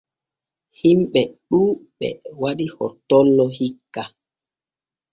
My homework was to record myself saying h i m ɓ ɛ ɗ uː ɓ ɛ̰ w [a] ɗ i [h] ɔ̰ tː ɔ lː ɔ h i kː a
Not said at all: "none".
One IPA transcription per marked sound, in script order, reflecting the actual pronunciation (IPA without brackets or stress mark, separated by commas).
a, h